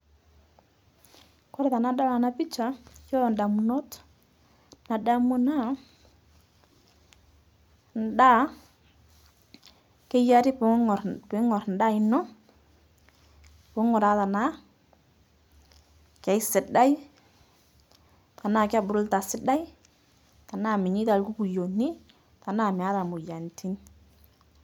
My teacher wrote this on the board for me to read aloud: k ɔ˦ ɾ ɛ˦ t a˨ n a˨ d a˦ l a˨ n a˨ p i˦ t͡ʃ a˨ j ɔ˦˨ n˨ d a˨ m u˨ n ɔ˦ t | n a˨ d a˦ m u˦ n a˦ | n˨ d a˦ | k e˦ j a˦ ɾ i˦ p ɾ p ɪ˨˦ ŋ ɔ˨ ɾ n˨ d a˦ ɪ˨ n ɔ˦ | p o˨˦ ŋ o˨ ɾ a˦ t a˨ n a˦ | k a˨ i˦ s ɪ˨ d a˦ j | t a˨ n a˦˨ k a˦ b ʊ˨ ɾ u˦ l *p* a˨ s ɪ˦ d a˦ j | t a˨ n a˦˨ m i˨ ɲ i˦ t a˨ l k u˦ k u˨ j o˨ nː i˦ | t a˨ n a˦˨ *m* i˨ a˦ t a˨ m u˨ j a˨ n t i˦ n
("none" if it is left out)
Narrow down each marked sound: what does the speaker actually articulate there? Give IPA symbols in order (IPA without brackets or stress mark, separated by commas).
t, m